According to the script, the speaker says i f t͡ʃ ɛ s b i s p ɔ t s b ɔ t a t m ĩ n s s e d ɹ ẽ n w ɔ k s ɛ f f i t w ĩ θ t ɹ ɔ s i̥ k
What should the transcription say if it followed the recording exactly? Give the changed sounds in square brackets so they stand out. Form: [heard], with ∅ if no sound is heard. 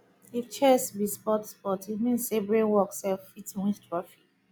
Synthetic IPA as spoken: i f t͡ʃ ɛ s b i s p ɔ t s [p] ɔ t [i] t m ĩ n s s e [b] ɹ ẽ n w ɔ k s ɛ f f i t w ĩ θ t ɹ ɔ [f] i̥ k